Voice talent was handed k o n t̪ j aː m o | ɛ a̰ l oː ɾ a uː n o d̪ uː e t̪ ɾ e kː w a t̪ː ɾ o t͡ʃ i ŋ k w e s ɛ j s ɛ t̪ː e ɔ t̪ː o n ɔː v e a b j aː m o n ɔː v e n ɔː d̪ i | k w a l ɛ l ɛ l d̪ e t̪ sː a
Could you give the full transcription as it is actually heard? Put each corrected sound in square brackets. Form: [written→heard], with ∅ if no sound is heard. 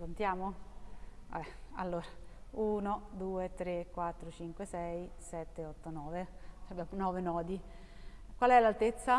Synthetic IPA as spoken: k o n t̪ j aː m o | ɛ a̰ [l→lː] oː ɾ a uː n o d̪ uː e t̪ ɾ e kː w a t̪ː ɾ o t͡ʃ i ŋ k w e s ɛ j s ɛ t̪ː e ɔ t̪ː o n ɔː v e a b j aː m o n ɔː v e n ɔː d̪ i | k w a l ɛ l [ɛ→a] l [d̪→t̪] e t̪ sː a